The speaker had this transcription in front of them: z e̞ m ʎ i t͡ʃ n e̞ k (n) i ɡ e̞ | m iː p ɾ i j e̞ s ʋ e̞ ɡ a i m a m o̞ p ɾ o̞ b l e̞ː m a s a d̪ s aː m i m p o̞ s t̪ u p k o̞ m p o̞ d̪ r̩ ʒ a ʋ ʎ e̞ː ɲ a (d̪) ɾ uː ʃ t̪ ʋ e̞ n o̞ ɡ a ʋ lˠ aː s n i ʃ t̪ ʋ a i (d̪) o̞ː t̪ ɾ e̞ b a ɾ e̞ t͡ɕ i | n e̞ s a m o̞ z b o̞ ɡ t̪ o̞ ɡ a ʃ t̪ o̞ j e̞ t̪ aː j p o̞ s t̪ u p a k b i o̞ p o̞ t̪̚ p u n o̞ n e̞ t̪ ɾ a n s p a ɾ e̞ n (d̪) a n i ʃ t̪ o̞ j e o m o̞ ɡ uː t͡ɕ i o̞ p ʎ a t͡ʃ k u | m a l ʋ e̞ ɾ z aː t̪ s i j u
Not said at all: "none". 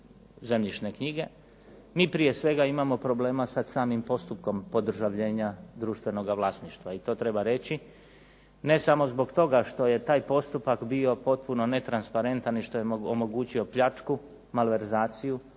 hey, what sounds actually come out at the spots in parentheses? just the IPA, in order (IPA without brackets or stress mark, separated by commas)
ɲ, d̪, t̪, t̪